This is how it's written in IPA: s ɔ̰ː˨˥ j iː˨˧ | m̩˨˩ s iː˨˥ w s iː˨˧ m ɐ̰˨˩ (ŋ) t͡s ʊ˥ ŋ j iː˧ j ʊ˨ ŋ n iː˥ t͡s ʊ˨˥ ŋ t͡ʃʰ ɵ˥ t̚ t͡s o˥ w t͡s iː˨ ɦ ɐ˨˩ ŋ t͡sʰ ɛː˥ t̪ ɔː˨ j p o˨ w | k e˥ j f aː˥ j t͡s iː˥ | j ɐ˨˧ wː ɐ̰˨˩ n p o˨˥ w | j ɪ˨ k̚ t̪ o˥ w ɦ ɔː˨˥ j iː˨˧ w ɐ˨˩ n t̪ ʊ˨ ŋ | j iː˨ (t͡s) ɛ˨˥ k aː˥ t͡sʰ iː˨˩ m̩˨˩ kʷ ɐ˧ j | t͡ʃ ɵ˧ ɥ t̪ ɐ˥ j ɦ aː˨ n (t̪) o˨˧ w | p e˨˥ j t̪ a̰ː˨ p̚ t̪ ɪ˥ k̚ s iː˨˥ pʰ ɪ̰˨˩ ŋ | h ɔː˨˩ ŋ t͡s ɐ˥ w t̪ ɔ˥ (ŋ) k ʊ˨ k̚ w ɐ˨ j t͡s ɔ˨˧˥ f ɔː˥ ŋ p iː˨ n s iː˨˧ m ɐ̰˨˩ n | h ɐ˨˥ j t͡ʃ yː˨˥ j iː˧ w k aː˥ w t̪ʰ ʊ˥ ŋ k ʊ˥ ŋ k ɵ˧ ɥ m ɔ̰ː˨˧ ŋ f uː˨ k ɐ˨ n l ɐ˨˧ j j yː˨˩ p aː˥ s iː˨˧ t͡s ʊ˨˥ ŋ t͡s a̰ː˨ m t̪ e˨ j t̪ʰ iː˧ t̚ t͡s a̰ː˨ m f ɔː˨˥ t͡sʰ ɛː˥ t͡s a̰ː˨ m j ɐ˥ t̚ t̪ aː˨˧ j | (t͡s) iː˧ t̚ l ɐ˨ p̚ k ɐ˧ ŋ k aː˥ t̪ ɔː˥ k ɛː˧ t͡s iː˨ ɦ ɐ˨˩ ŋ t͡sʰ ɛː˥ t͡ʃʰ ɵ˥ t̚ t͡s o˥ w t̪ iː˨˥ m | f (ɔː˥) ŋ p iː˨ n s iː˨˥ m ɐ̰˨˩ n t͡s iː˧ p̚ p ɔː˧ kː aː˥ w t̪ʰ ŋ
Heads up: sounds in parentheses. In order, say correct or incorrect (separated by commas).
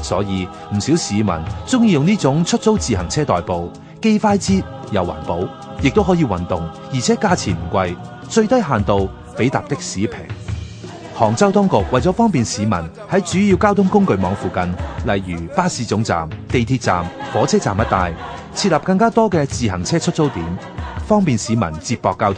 incorrect, incorrect, correct, correct, incorrect, correct